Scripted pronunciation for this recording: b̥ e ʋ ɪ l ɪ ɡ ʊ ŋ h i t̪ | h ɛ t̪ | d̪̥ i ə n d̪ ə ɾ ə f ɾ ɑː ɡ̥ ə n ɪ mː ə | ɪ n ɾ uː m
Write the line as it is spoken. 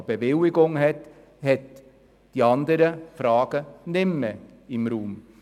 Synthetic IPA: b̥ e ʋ ɪ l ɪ ɡ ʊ ŋ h ɛ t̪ | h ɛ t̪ | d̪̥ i ɑ n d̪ ə ɾ ə f ɾ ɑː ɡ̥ ə n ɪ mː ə | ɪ m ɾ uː m